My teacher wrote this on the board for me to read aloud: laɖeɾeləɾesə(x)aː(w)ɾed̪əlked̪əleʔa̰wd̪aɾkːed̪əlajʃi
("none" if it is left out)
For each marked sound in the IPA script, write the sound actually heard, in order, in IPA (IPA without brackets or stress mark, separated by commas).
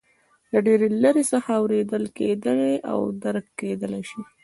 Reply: x, w